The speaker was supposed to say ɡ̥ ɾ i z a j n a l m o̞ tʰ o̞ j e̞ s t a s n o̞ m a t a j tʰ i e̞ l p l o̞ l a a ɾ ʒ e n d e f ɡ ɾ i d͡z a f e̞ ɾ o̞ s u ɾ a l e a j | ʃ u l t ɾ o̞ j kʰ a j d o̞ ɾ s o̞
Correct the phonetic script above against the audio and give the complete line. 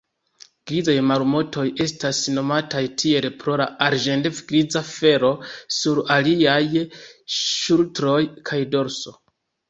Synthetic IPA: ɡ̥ ɾ i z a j m a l m o̞ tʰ o̞ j e̞ s t a s n o̞ m a t a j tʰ i e̞ l p ɾ o̞ l a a ɾ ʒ e n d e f ɡ ɾ i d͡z a f e̞ ɾ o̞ s u ɾ a l i a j | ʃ u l t ɾ o̞ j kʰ a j d o̞ ɾ s o̞